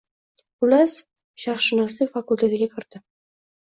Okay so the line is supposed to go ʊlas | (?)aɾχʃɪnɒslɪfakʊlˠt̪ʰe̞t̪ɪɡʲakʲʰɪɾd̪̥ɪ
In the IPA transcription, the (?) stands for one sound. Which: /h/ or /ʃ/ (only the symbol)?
ʃ